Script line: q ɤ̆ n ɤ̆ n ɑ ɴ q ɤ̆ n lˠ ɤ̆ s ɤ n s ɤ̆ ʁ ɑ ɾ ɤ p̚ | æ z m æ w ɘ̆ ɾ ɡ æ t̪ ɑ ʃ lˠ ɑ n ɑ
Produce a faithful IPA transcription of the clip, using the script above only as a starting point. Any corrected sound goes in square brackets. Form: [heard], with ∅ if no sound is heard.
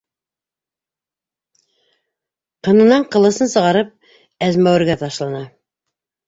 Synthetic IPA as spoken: q ɤ̆ n ɤ̆ n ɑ ɴ q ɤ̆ [∅] lˠ ɤ̆ s ɤ n s ɤ̆ ʁ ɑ ɾ ɤ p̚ | æ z m æ w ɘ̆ ɾ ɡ æ t̪ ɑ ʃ lˠ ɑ n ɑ